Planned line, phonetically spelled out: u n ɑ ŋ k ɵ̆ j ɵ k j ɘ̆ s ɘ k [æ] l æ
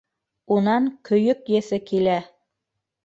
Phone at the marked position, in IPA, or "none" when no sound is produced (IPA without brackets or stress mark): i